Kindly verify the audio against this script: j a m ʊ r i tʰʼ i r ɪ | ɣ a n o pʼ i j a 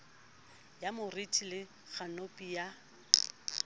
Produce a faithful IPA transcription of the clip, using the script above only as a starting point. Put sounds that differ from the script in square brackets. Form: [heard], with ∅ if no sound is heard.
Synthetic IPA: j a m ʊ r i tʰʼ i [l] ɪ | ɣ a n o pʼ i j a